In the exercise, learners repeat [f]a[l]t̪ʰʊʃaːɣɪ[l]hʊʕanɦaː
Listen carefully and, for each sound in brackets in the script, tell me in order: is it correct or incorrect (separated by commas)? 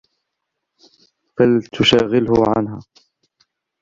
correct, correct, correct